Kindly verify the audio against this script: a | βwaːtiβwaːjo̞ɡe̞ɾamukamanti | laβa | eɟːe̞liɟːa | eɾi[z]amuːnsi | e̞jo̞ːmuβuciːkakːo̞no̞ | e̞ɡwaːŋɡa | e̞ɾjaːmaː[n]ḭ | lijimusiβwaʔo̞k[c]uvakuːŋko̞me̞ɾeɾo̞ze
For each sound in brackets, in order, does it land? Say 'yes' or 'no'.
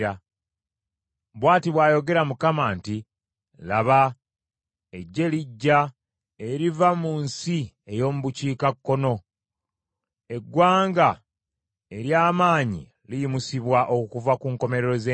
no, no, no

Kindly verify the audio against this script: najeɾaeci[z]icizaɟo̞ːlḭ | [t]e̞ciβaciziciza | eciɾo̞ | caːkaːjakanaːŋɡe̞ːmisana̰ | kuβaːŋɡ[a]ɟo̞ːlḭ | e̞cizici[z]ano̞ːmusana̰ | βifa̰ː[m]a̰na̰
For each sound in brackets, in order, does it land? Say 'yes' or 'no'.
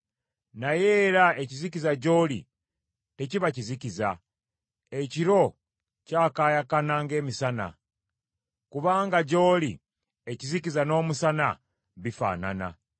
yes, yes, yes, yes, no

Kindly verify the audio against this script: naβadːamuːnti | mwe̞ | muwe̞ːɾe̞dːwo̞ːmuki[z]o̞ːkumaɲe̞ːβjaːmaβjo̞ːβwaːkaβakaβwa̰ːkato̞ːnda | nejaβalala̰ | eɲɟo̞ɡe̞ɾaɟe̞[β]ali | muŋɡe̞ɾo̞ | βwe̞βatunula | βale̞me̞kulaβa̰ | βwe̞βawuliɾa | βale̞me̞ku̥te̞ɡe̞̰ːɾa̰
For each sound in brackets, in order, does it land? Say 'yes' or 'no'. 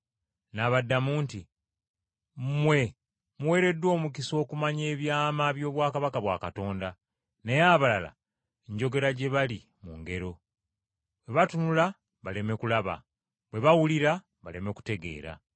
no, yes

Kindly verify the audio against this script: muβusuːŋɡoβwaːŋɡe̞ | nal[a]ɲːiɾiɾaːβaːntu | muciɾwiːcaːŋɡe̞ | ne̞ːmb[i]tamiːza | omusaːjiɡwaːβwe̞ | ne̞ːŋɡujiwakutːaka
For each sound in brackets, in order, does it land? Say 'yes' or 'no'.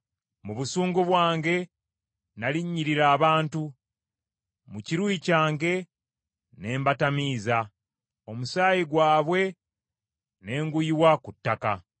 no, no

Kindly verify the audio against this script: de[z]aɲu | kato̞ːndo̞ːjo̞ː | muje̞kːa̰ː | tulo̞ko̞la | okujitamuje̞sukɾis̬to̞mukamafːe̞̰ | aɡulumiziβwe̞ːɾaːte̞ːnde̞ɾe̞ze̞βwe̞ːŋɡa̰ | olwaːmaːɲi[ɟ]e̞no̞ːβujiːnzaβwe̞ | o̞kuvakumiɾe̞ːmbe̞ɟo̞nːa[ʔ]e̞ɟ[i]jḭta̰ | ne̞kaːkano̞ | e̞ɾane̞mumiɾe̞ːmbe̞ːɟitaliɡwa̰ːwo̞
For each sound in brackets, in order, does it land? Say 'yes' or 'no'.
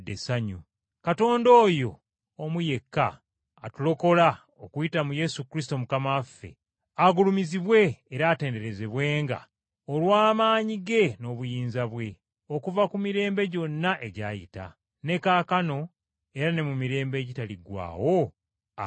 no, no, yes, no

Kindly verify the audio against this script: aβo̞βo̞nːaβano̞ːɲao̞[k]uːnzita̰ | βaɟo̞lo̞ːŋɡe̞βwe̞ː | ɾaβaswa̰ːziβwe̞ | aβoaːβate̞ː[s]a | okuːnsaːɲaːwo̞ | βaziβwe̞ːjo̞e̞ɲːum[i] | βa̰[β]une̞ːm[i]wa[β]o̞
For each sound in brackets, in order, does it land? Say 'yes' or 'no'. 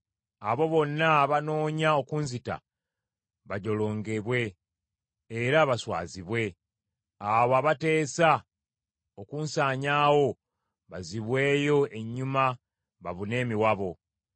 yes, yes, no, yes, yes, yes

